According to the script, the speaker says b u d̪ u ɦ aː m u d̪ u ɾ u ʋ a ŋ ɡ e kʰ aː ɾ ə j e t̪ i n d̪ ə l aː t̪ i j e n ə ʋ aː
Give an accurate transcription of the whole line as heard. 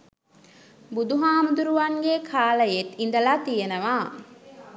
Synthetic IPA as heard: b u d̪ u ɦ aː m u d̪ u ɾ u ʋ a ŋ ɡ e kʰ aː l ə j e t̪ i n d̪ ə l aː t̪ i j e n ə ʋ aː